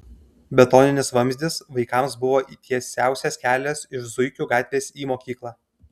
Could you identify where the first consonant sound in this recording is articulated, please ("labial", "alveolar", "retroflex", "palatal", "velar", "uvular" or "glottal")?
labial